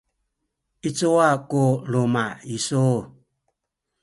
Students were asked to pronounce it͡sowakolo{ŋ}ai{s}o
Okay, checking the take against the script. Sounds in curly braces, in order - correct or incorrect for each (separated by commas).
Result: incorrect, correct